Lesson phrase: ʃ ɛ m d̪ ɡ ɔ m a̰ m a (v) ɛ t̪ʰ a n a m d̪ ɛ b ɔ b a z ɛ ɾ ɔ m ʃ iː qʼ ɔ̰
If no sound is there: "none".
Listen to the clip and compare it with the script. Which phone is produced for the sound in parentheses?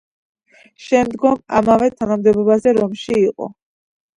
v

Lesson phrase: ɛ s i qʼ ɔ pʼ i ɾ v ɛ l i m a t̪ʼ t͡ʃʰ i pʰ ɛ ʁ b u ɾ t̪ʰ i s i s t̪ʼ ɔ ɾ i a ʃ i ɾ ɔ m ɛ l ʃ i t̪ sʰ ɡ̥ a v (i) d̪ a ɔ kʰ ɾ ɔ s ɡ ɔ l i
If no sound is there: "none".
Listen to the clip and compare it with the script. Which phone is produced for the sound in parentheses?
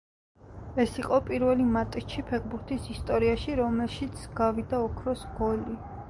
i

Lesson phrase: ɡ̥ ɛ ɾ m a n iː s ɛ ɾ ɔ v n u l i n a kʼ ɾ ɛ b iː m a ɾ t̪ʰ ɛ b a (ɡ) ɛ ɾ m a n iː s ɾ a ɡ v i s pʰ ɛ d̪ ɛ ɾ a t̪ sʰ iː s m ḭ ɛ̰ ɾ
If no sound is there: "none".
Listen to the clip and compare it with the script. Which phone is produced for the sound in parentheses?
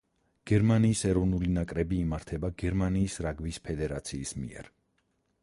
ɡ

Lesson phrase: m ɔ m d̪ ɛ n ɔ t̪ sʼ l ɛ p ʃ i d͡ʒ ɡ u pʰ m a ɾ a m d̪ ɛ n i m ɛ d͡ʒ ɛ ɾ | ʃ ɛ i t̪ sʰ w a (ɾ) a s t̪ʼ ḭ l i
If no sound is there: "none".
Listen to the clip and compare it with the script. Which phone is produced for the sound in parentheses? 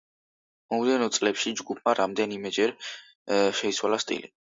l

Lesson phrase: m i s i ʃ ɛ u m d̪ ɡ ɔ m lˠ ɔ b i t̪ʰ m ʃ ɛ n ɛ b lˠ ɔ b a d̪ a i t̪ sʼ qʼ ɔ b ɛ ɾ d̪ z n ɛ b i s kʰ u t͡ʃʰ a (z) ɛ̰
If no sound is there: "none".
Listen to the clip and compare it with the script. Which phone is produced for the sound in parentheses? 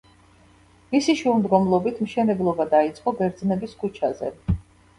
z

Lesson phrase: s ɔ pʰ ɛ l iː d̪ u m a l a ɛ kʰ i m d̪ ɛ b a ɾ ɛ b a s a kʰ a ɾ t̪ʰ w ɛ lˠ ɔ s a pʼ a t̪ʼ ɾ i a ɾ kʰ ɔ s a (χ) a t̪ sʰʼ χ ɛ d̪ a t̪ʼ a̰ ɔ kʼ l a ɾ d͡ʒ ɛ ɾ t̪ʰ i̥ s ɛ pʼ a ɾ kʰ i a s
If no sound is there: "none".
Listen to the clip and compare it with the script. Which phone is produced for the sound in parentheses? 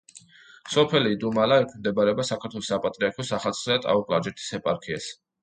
χ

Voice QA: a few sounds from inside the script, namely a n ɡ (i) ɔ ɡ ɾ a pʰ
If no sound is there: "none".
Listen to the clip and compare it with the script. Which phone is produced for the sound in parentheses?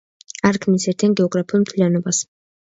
ɛ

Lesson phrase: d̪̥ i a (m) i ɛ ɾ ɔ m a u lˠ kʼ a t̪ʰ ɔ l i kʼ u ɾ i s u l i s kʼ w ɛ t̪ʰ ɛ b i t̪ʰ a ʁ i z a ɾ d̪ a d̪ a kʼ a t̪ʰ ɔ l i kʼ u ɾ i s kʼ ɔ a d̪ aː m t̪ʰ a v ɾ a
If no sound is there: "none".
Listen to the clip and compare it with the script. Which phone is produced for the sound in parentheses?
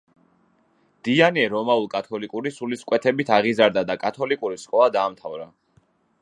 n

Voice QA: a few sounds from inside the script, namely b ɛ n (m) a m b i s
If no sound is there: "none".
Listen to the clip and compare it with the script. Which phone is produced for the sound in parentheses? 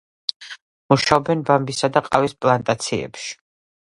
b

